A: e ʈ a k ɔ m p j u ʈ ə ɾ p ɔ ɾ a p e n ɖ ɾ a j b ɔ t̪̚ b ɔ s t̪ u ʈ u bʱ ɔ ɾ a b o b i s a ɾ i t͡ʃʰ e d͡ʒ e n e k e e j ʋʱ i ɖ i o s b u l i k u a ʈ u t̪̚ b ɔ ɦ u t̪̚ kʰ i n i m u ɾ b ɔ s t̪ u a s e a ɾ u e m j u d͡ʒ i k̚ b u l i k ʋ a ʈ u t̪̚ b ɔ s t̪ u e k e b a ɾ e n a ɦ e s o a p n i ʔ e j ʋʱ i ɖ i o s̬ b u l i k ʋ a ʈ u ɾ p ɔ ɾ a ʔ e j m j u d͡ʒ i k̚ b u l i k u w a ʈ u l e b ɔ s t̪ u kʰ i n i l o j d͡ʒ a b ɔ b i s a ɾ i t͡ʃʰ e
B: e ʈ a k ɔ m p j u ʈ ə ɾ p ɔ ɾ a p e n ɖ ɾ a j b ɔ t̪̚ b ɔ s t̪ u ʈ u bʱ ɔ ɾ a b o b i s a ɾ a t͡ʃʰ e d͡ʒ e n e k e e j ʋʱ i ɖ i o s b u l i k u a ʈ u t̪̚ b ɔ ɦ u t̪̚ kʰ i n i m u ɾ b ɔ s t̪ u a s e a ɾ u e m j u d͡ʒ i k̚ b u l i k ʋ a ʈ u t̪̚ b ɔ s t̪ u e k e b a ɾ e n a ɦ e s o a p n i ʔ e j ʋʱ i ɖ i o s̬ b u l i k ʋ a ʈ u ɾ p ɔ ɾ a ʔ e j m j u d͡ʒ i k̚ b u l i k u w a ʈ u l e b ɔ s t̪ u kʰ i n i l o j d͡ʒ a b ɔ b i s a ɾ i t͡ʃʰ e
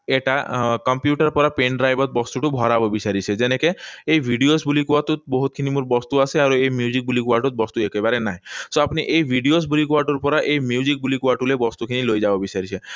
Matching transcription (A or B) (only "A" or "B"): A